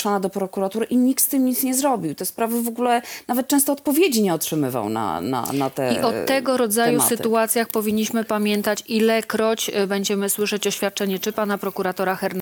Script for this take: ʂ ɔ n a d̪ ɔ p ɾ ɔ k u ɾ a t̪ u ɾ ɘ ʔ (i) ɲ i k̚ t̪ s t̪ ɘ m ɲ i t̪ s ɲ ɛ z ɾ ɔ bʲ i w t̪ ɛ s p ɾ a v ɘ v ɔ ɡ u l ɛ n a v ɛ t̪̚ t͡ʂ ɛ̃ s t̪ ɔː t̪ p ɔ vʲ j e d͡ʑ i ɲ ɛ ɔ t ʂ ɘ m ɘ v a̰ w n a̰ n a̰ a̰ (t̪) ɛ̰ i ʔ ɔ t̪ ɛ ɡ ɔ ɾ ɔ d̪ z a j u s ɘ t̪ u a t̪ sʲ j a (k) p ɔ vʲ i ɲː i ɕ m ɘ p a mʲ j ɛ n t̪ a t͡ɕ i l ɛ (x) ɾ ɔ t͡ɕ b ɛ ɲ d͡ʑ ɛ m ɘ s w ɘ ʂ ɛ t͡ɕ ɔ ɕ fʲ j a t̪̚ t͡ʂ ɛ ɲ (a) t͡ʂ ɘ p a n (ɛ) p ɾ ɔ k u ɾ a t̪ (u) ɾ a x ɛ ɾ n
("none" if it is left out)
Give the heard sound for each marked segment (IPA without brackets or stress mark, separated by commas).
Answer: i, t̪, x, k, ɛ, a, ɔ